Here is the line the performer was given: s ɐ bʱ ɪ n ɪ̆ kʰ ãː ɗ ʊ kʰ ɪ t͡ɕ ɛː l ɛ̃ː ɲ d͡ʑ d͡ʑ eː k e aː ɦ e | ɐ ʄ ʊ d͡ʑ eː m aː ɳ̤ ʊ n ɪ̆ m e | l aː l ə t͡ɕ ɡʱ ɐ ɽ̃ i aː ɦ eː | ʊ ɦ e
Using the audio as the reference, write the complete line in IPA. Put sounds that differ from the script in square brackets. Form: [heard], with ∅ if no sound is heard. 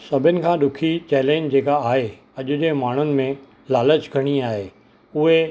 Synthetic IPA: s ɐ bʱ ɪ n ɪ̆ kʰ ãː ɗ ʊ kʰ [i] t͡ɕ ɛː l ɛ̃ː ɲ d͡ʑ d͡ʑ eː k [a] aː ɦ e | ɐ ʄ ʊ d͡ʑ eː m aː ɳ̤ ʊ n ɪ̆ m [ẽ] | l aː l ə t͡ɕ ɡʱ ɐ ɽ̃ i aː ɦ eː | ʊ ɦ e